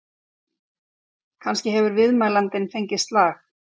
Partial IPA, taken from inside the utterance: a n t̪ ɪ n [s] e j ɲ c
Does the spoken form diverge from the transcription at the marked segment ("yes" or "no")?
yes